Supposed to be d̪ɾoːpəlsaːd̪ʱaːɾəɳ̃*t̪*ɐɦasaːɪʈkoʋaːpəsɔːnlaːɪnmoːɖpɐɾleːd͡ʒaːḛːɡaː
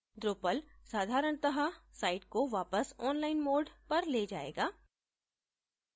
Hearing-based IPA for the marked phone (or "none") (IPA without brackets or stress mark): t̪